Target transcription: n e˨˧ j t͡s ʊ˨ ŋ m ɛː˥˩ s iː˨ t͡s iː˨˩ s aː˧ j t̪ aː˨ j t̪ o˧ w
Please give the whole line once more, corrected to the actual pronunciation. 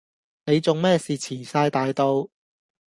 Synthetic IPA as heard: n e˨˧ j t͡s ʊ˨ ŋ m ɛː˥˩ s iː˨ t͡sʰ iː˨˩ s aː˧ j t̪ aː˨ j t̪ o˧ w